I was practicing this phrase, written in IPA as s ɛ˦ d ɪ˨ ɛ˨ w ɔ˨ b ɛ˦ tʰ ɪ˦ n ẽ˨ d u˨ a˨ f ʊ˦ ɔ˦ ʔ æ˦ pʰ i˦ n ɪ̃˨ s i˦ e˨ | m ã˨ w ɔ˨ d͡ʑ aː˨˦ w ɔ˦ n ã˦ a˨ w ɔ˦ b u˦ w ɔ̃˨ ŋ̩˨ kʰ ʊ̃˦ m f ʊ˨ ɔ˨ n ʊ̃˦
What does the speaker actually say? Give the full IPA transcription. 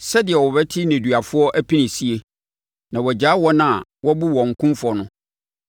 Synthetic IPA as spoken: s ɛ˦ d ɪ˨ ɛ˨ w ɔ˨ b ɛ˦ tʰ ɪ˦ n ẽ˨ d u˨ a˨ f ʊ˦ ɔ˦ ʔ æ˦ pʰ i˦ n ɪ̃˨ s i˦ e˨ | n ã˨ w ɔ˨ d͡ʑ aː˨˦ w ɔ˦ n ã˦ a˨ w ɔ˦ b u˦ w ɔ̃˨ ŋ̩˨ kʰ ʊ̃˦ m f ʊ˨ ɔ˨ n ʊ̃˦